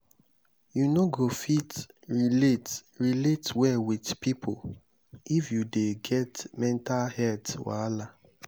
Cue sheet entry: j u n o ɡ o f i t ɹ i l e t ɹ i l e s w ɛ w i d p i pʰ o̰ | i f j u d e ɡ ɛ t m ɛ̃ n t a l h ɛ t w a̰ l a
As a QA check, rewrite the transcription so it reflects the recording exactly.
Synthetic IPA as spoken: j u n o ɡ o f i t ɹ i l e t ɹ i l e t w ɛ w i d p i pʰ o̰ | i f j u d e ɡ ɛ t m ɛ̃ n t a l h ɛ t w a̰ l a